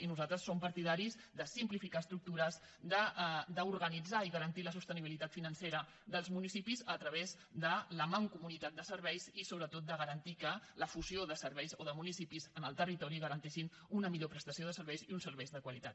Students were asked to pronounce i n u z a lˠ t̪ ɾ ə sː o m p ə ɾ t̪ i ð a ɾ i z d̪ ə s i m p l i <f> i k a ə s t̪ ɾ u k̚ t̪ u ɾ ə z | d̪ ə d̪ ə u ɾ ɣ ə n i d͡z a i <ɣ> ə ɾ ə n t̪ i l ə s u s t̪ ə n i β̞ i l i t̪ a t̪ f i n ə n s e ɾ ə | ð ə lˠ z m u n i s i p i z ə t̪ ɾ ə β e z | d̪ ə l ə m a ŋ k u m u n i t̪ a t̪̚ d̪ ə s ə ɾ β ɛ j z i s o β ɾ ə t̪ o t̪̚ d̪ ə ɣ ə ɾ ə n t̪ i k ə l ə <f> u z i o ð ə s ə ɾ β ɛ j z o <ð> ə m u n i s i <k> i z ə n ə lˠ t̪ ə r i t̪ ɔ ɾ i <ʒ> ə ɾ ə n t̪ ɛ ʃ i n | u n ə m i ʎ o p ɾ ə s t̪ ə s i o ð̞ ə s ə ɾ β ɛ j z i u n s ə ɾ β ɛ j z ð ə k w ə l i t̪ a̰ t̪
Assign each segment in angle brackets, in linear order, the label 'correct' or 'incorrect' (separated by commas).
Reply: correct, correct, correct, correct, incorrect, incorrect